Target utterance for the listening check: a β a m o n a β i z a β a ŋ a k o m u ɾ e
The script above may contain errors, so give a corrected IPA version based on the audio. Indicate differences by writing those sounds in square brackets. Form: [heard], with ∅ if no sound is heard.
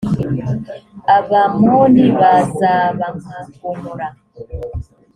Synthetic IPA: a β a m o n [i] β [a] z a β a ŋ a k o m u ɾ [a]